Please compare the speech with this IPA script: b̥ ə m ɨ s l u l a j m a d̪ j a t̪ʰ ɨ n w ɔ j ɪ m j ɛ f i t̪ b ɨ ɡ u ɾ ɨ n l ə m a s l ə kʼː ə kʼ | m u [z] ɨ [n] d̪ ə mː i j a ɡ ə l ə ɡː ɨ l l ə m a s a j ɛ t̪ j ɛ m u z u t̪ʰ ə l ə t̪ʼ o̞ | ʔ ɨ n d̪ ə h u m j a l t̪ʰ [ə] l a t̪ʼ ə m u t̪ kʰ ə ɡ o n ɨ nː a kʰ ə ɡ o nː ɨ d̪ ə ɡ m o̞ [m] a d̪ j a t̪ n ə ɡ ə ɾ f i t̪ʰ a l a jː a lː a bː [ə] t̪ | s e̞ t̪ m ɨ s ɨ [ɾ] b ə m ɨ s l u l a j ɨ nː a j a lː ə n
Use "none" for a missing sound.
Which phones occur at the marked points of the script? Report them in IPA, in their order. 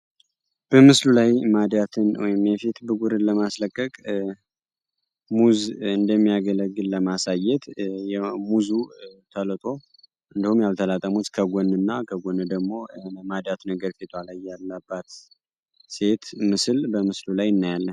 z, n, ə, m, a, l

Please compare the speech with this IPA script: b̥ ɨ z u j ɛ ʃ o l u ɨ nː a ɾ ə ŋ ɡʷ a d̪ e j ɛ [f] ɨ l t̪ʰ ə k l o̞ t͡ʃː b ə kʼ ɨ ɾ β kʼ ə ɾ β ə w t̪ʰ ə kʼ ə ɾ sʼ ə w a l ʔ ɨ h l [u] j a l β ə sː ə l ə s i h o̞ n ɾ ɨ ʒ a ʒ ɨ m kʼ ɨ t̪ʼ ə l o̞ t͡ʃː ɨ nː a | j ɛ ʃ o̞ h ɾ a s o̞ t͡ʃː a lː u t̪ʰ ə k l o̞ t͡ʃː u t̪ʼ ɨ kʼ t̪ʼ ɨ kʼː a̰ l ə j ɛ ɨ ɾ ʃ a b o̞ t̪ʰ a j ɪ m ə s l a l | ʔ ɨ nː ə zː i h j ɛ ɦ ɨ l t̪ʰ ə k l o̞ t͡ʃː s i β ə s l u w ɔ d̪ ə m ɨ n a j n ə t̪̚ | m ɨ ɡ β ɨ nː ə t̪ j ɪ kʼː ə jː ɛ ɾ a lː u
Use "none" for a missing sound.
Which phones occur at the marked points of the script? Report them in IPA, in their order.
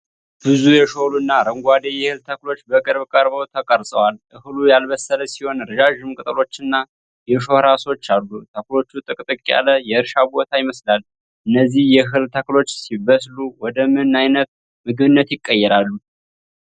h, u

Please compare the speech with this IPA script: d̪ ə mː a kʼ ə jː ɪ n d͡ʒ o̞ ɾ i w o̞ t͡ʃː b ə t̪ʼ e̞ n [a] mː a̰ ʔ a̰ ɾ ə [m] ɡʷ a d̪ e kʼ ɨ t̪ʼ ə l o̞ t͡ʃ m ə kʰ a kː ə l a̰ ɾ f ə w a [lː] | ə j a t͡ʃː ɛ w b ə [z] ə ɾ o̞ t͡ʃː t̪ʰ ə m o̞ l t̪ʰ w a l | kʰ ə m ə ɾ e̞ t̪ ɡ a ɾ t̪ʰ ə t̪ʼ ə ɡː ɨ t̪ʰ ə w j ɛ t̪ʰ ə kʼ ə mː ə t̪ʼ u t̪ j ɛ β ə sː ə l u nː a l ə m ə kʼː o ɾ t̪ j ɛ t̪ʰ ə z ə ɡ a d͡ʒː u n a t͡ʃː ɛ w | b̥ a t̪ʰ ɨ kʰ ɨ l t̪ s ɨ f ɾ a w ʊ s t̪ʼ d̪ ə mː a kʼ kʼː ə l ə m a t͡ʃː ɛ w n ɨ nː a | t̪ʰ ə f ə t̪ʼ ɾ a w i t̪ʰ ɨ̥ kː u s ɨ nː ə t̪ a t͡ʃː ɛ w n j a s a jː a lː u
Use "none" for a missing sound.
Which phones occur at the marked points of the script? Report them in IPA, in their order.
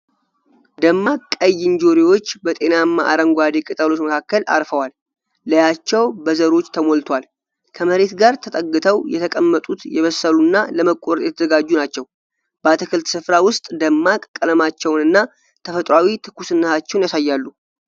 a, ŋ, lː, z

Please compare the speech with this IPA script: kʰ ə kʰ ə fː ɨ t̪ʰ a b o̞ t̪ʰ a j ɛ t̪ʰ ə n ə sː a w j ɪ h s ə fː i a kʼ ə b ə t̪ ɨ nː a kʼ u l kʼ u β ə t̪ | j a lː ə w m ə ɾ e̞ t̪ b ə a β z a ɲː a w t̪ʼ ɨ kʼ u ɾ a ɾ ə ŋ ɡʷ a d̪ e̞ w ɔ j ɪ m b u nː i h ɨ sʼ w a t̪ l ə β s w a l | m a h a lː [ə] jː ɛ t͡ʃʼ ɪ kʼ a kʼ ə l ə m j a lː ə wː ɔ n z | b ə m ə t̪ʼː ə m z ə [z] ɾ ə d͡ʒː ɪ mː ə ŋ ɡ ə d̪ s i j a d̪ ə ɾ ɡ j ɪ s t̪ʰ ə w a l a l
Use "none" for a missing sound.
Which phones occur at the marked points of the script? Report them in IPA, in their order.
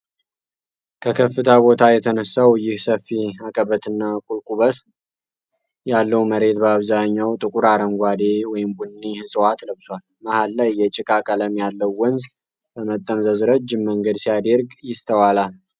a, z

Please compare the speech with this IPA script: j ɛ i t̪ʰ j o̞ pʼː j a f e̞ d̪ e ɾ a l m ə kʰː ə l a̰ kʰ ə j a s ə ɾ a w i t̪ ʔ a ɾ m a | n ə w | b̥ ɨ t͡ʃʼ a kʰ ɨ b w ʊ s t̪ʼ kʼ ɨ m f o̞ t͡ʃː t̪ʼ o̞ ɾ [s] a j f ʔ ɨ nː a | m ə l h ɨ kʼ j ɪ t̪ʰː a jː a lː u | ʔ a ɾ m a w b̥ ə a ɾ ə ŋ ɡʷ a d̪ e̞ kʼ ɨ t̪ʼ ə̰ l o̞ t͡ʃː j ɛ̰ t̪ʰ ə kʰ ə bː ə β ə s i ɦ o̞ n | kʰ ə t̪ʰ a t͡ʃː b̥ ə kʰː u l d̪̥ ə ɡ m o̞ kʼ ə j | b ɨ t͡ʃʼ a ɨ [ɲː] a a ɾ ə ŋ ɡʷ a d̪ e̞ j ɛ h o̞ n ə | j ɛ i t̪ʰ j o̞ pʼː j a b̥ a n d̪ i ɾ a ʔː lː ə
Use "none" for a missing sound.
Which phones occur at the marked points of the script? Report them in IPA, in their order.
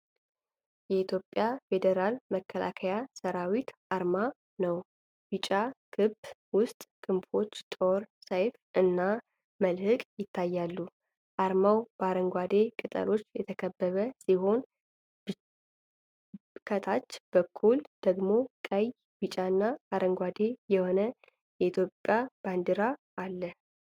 s, nː

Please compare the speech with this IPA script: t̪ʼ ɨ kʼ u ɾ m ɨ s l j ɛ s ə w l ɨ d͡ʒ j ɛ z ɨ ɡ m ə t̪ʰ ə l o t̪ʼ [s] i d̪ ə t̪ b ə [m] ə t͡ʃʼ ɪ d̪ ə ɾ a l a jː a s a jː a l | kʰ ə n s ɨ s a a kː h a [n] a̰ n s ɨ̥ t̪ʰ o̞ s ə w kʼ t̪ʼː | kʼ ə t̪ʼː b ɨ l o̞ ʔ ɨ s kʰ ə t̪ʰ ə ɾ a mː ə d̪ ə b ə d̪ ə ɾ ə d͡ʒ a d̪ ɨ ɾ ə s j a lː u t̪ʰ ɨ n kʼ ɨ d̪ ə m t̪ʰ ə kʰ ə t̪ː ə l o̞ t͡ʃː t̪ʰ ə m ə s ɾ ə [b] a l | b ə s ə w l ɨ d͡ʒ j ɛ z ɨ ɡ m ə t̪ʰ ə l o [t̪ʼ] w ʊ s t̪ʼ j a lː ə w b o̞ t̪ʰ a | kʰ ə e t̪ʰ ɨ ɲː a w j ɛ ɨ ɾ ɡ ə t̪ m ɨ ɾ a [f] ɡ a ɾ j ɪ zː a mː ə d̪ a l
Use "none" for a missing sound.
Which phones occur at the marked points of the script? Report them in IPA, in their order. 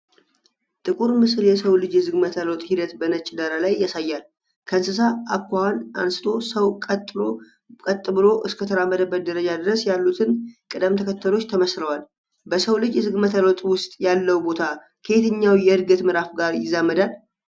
h, n, n, w, t̪ʼ, f

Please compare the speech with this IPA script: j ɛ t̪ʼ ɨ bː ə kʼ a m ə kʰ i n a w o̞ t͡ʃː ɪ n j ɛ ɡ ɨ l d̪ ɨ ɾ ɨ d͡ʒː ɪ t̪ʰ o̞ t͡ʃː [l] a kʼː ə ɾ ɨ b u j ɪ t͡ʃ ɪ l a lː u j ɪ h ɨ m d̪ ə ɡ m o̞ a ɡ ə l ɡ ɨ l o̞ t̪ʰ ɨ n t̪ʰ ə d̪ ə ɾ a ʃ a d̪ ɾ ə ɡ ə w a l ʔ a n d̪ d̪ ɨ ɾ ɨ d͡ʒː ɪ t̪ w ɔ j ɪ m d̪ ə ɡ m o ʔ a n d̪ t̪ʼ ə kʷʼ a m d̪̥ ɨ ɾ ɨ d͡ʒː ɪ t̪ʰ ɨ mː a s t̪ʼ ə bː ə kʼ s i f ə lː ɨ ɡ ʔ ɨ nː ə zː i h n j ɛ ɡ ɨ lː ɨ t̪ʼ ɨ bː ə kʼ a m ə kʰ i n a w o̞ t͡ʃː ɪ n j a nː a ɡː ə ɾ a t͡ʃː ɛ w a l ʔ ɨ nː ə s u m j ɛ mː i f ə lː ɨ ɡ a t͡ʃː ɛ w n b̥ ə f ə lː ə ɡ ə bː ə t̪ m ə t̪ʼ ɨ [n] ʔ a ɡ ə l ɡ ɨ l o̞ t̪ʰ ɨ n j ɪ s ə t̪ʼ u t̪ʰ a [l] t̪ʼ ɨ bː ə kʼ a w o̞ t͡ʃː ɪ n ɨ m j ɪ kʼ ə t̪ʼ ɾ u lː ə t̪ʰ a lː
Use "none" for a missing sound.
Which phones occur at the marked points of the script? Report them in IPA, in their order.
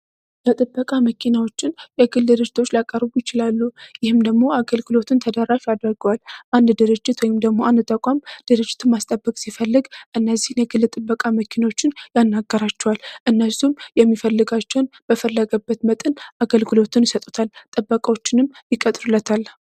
l, n, l

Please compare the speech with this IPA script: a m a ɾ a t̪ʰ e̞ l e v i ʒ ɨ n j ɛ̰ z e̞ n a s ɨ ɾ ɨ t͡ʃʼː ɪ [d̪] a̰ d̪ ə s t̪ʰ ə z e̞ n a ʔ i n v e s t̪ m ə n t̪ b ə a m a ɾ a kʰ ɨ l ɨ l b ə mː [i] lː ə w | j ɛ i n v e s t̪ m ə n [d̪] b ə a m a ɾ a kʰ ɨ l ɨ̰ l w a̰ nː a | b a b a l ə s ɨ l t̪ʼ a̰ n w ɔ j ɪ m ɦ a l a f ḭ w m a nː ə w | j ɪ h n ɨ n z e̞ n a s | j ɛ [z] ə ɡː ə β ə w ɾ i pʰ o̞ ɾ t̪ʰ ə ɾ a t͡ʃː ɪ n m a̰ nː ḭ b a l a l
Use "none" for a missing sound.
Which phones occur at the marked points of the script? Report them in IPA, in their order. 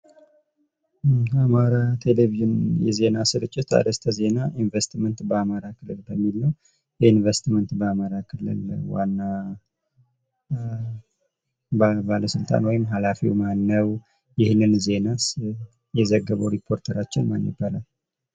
t̪, i, t̪, z

